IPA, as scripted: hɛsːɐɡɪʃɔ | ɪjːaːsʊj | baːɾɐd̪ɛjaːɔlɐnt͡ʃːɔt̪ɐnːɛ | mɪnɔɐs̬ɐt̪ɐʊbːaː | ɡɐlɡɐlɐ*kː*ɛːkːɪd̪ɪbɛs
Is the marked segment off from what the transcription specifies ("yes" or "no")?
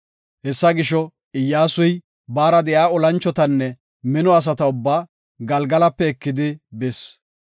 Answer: yes